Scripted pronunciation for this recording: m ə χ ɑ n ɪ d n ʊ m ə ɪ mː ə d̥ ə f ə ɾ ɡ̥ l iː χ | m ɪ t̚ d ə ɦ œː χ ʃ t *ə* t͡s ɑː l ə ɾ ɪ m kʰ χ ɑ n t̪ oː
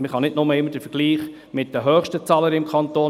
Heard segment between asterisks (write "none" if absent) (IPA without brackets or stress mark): ə